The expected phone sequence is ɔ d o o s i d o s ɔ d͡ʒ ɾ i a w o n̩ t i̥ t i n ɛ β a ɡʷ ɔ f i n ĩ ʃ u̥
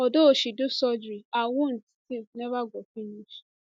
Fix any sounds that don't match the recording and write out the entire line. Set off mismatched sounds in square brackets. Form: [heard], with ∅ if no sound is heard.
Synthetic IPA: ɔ d o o [ʃ] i d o s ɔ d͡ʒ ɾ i a w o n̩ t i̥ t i n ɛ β a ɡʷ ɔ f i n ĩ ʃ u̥